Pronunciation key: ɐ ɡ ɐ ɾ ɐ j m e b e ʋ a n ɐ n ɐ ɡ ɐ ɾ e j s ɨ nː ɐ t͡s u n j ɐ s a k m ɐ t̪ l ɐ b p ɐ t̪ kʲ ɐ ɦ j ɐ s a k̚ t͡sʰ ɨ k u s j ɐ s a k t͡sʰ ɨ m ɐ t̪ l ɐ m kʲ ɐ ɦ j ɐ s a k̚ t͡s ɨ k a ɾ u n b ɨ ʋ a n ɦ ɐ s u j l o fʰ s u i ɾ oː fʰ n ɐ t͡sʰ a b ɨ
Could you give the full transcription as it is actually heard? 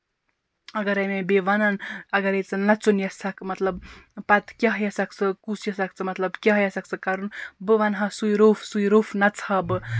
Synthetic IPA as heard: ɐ ɡ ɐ ɾ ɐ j m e b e ʋ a n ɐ n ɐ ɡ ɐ ɾ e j t͡s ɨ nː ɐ t͡s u n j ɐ s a k m ɐ t̪ l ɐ b p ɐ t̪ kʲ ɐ ɦ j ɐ s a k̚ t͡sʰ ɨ k u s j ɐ s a k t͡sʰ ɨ m ɐ t̪ l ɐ b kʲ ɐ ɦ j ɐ s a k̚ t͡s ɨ k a ɾ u n b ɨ ʋ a n ɦ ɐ s u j ɾ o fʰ s u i ɾ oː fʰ n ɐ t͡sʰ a b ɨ

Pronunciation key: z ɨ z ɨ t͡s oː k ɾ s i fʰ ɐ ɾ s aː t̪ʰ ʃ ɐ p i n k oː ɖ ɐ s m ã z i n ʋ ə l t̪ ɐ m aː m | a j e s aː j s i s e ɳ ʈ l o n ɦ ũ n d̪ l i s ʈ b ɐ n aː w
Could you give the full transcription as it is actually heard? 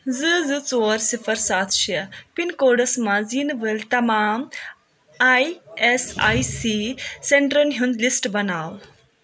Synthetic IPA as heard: z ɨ z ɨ t͡s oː ɾ s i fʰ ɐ ɾ s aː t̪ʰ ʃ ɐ p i n k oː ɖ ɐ s m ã z i n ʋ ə l t̪ ɐ m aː m | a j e s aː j s i s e ɳ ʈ ɾ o n ɦ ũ n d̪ l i s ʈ b ɐ n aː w

